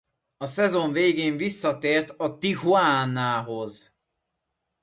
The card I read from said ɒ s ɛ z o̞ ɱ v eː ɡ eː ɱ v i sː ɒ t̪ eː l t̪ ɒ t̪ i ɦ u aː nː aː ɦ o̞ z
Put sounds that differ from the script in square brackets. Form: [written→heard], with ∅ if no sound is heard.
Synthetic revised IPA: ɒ s ɛ z o̞ ɱ v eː ɡ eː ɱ v i sː ɒ t̪ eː [l→r] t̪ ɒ t̪ i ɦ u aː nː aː ɦ o̞ z